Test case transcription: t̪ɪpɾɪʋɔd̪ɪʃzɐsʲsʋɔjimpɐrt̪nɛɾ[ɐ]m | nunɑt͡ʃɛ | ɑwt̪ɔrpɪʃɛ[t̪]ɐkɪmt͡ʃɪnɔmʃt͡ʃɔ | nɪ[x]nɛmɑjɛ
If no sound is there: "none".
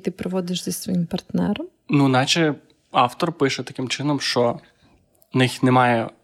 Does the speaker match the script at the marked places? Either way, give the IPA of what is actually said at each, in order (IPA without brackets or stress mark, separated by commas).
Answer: ɐ, t̪, x